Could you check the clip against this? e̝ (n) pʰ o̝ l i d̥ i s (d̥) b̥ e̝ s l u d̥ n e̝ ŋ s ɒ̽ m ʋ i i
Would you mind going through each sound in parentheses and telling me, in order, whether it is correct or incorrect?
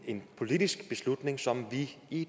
correct, incorrect: ɡ̥

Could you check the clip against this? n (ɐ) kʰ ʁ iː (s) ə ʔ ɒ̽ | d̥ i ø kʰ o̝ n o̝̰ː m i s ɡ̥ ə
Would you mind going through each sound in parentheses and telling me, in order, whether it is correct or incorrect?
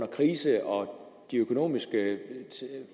correct, correct

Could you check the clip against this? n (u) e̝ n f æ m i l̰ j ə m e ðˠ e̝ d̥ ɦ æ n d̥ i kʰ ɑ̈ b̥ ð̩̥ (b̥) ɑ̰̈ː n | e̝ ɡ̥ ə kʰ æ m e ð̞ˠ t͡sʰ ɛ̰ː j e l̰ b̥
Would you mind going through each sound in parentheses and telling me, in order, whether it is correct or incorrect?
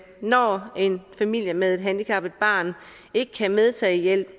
incorrect: ɒ, correct

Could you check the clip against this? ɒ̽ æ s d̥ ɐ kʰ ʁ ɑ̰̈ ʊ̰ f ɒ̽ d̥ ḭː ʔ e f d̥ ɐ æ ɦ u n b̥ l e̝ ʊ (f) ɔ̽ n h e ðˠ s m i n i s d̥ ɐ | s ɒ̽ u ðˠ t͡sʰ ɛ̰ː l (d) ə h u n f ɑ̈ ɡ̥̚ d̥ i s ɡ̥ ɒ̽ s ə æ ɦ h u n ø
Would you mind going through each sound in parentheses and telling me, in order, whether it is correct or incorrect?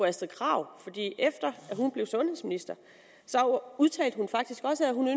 incorrect: s, correct

